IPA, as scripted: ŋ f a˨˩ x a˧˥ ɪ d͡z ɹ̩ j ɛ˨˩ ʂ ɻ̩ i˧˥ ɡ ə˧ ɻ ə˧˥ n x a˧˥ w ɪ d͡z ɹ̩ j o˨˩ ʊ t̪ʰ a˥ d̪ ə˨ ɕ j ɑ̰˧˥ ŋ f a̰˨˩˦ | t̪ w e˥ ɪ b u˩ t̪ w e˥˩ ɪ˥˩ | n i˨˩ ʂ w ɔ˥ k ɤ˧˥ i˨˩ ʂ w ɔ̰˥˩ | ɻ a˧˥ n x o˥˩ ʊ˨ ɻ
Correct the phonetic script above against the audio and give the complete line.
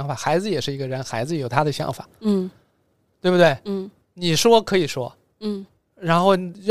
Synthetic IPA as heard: ŋ f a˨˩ x a˧˥ ɪ d͡z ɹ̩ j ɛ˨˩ ʂ ɻ̩ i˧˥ ɡ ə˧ ɻ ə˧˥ n x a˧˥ ɪ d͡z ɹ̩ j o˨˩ ʊ t̪ʰ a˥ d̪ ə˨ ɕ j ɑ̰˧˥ ŋ f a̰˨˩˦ | t̪ w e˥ ɪ b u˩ t̪ w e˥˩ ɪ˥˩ | n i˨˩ ʂ w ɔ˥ kʰ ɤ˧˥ i˨˩ ʂ w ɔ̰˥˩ | ɻ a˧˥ n x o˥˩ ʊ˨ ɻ